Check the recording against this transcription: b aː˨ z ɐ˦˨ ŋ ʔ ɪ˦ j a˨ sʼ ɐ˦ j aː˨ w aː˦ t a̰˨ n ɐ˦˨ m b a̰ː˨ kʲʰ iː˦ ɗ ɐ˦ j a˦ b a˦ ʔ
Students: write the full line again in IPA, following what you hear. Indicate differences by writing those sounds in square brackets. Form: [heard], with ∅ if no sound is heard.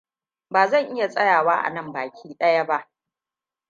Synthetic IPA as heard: b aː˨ z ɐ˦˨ ŋ ʔ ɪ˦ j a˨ sʼ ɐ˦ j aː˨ w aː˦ [ʔ] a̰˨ n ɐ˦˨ m b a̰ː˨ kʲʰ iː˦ ɗ ɐ˦ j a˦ b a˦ ʔ